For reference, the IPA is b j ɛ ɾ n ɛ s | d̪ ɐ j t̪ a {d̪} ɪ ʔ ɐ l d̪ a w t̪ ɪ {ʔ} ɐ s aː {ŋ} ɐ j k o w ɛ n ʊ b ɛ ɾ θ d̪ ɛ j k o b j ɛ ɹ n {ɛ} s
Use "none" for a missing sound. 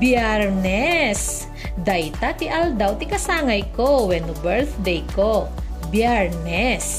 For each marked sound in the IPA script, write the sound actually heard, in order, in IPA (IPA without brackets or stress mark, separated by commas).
t̪, k, ŋ, ɛ